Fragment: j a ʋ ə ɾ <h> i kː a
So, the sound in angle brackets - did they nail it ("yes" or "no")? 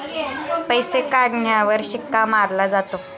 no